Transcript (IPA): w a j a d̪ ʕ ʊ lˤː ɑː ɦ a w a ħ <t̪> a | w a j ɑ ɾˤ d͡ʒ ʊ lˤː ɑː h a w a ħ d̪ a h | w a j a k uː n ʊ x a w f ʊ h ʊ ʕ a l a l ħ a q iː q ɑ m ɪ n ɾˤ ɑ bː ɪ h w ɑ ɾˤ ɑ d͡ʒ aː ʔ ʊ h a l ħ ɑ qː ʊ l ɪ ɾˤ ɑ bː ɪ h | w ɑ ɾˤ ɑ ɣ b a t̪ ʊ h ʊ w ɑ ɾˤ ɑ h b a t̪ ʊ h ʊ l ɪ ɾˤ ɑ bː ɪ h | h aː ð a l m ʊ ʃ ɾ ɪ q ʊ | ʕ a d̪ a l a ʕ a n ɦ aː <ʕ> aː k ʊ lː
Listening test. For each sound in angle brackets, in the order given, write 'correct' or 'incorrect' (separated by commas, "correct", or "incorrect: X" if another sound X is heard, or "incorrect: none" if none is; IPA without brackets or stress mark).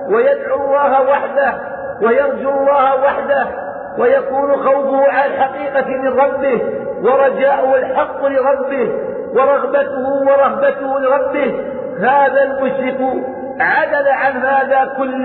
incorrect: d̪, incorrect: ð